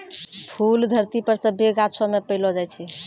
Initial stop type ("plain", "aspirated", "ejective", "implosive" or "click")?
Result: aspirated